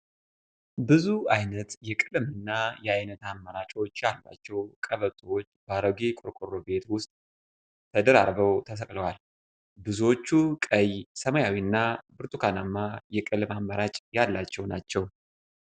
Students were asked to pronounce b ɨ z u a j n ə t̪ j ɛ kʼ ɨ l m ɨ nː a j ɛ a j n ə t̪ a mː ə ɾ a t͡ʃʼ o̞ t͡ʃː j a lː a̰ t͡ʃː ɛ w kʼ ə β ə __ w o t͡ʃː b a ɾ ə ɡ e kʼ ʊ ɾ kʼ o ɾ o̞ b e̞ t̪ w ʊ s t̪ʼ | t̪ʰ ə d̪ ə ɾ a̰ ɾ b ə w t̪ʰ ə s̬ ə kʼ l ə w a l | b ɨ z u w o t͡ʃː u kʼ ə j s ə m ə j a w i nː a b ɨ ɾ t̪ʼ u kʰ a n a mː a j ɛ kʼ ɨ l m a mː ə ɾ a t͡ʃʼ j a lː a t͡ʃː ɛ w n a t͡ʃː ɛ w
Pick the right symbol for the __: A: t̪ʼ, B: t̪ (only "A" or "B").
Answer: A